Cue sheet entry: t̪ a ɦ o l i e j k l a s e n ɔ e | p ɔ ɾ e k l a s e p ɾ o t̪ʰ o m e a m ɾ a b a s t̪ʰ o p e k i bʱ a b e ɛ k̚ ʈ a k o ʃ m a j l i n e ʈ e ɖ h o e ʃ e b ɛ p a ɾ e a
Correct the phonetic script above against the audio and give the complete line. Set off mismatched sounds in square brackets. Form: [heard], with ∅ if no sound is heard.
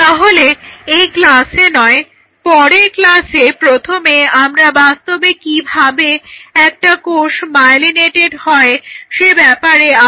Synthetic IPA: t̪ a ɦ o l [e] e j k l a s e n ɔ e | p ɔ ɾ e k l a s e p ɾ o t̪ʰ o m e a m ɾ a b a s [t̪] o [b] e k i bʱ a b e ɛ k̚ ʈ a k o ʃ m a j l i n e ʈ e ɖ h [ɔ] e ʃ e b ɛ p a ɾ e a